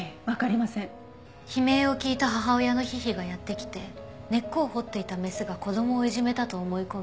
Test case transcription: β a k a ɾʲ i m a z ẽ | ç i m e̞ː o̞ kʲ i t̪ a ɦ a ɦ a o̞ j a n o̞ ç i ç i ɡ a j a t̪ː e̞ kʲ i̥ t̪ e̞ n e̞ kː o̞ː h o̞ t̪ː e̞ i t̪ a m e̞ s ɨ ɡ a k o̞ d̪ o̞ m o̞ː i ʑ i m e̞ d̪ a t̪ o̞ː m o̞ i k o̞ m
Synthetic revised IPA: β a k a ɾʲ i m a s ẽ | ç i m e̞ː o̞ kʲ iː t̪ a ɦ a ɦ a o̞ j a n o̞ ç i ç i ɡ a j a t̪ː e̞ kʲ i̥ t̪ e̞ n e̞ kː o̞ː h o̞ t̪ː e̞ i t̪ a m e̞ s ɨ ɡ a k o̞ d̪ o̞ m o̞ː i ʑ i m e̞ t̪ a t̪ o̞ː m o̞ i k o̞ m